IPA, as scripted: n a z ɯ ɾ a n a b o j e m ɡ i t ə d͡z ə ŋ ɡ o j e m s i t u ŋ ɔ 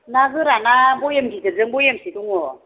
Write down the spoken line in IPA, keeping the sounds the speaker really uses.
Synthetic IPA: n a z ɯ ɾ a n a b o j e m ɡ i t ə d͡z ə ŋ b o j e m s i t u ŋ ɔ

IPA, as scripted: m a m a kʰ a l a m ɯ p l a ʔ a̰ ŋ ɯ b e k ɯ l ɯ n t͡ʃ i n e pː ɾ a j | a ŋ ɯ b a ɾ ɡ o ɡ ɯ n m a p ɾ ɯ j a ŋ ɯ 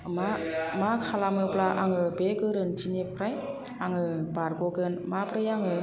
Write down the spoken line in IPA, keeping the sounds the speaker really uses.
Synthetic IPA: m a m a kʰ a l a m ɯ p l a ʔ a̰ ŋ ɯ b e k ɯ ɾ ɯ n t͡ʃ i n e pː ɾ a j | a ŋ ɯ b a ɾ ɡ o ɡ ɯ n m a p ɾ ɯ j a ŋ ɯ

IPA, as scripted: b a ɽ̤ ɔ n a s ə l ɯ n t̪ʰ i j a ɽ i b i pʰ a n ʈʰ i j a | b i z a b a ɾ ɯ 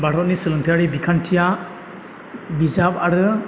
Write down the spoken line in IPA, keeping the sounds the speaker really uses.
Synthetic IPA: b a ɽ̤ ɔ n i s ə l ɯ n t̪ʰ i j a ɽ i b i kʰ a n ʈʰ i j a | b i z a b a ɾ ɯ

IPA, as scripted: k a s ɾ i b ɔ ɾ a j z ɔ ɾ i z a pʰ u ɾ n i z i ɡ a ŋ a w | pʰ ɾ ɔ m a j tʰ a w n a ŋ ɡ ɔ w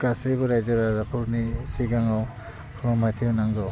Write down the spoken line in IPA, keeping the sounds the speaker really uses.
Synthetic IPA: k a s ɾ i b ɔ ɾ a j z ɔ ɾ a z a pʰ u ɾ n i s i ɡ a ŋ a w | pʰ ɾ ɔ m a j tʰ i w n a ŋ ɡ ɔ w

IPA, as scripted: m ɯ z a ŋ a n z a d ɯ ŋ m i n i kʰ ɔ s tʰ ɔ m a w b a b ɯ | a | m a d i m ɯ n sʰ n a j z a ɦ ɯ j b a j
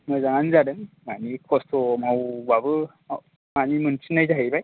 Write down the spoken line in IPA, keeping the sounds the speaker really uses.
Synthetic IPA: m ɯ z a ŋ a n z a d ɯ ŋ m a n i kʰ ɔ s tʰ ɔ m a w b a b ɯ | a | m a n i m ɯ n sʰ n a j z a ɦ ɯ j b a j

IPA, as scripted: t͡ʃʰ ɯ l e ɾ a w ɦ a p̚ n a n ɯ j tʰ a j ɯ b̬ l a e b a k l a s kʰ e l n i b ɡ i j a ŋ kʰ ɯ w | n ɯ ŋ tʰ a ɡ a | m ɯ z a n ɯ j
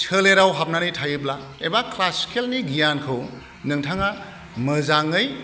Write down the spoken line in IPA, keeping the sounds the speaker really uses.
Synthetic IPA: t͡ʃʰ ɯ l e ɾ a w ɦ a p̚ n a n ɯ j tʰ a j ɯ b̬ l a e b a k l a s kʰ e l n i ɡ i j a n kʰ ɯ w | n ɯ ŋ tʰ a ŋ a | m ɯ z a ŋ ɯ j

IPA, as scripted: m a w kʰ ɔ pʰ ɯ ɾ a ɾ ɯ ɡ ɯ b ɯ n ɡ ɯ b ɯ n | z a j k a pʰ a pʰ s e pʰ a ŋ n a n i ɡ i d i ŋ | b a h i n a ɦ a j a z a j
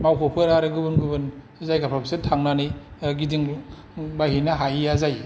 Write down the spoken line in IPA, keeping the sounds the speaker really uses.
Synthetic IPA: m a w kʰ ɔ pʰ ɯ ɾ a ɾ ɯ ɡ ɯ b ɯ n ɡ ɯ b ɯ n | z a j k a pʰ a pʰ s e tʰ a ŋ n a n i ɡ i d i ŋ | b a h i n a ɦ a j a z a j

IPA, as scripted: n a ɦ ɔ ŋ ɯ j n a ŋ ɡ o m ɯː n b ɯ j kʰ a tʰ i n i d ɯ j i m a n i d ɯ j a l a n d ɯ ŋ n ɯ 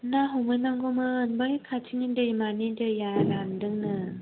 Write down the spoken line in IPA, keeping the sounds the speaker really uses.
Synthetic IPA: n a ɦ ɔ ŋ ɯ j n a ŋ ɡ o m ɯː n b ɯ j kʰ a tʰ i n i d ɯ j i m a n i d ɯ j a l a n d ɯ ŋ n ɯ

